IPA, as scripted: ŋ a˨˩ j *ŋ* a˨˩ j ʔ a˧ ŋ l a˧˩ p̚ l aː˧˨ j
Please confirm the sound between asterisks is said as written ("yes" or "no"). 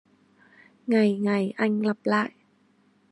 yes